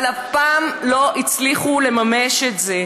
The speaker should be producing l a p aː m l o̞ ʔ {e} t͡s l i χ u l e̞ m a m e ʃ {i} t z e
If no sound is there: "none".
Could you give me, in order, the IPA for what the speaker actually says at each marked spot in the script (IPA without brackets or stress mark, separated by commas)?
i, e